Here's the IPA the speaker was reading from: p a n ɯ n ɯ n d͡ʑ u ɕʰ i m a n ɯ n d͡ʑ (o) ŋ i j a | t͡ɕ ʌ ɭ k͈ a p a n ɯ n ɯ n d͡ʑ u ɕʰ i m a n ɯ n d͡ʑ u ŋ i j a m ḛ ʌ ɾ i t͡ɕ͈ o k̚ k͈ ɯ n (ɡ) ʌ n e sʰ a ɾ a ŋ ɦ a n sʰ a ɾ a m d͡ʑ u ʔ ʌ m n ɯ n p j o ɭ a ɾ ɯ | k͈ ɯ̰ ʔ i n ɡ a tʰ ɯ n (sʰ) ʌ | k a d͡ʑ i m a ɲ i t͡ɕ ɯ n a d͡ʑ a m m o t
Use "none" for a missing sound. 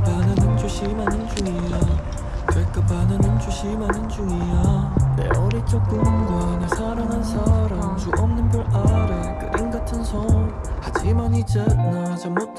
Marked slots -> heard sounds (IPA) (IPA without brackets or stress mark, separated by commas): u, ɡ, sʰ